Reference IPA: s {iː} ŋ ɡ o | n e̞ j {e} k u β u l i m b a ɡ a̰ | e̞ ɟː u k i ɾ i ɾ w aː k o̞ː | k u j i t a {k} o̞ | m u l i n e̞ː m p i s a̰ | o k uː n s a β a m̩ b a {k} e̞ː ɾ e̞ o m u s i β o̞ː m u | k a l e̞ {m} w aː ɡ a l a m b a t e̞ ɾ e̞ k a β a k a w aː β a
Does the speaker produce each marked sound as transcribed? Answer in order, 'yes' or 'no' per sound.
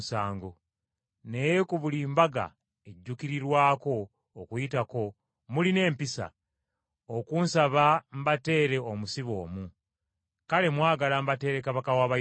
no, yes, yes, no, yes

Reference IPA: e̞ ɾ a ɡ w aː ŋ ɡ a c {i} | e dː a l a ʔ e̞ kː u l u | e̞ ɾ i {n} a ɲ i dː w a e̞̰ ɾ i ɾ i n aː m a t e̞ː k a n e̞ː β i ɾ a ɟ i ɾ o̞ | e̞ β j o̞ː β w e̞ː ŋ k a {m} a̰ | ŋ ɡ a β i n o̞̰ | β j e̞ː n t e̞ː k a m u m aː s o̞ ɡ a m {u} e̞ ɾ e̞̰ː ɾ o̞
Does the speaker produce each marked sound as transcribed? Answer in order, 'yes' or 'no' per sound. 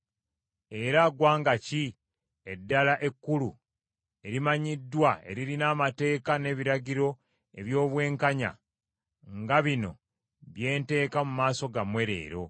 yes, no, no, no

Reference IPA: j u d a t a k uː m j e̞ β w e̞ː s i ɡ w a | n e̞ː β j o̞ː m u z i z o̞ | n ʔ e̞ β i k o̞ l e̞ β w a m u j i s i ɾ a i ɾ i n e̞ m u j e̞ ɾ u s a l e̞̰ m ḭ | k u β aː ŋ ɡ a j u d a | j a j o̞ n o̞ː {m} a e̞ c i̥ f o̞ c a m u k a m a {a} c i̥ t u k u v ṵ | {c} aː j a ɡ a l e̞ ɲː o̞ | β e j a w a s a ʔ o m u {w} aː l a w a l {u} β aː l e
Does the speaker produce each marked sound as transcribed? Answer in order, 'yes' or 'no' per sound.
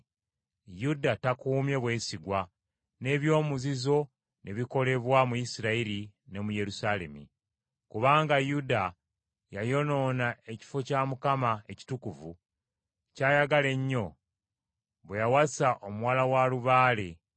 no, no, yes, yes, yes

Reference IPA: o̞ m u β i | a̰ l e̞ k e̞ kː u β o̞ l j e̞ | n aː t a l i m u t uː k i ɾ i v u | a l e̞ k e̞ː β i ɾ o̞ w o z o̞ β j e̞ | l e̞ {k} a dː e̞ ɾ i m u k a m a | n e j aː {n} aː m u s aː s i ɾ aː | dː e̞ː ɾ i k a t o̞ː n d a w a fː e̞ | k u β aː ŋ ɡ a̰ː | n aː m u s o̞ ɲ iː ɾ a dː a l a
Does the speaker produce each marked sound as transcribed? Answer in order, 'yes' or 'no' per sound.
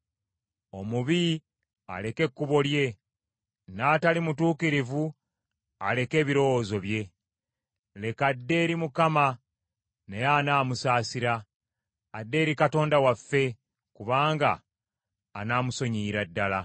yes, yes

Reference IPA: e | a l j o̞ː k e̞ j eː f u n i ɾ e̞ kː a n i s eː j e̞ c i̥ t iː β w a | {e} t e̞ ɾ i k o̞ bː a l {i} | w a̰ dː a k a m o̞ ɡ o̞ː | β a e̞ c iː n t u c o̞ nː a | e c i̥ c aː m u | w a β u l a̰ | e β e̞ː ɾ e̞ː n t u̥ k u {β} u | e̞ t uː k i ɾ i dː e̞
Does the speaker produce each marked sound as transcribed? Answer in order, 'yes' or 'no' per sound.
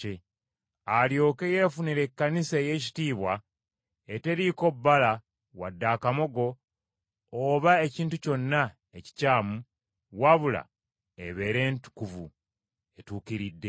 yes, no, no

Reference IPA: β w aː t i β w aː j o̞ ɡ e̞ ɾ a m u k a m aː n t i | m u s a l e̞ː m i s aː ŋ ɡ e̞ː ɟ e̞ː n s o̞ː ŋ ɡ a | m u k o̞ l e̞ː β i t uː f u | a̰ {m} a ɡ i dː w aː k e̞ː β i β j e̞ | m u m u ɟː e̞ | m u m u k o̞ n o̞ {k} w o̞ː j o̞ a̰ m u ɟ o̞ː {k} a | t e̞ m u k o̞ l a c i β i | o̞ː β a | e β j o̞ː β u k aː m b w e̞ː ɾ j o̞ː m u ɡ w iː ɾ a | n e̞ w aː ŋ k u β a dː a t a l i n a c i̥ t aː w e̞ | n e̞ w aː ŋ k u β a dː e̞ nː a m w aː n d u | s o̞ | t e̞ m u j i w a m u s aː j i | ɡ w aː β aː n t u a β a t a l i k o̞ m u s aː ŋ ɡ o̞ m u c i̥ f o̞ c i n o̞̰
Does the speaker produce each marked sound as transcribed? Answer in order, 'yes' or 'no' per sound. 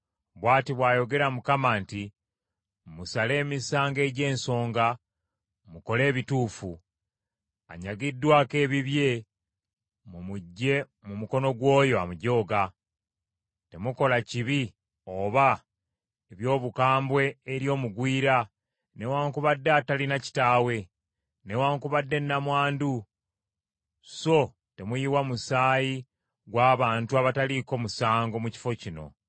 no, no, no

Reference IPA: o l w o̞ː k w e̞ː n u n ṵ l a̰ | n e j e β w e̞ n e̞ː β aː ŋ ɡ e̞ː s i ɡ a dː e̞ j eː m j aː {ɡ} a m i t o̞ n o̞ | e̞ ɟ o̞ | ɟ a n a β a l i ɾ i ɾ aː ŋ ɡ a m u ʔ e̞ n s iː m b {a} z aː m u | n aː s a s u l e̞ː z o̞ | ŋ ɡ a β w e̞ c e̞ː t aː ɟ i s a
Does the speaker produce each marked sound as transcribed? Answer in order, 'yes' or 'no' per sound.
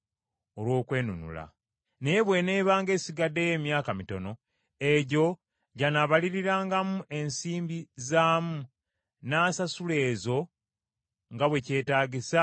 no, no

